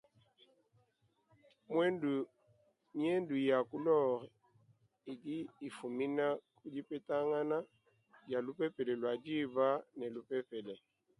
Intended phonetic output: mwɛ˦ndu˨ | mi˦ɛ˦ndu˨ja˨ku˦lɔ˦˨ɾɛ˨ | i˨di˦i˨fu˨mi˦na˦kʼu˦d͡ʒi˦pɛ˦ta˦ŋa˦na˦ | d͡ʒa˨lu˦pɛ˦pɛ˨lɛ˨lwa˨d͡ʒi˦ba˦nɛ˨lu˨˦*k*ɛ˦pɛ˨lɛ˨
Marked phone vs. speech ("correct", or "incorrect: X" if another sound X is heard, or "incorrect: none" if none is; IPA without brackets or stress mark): incorrect: p